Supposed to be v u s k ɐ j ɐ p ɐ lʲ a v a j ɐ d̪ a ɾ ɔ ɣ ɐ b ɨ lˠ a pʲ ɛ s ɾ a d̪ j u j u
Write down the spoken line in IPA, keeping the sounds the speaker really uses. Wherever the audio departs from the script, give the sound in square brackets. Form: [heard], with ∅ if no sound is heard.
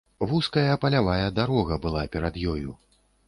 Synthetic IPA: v u s k ɐ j ɐ p ɐ lʲ a v a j ɐ d̪ a ɾ ɔ ɣ ɐ b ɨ lˠ a pʲ ɛ [∅] ɾ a d̪ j [ɔ] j u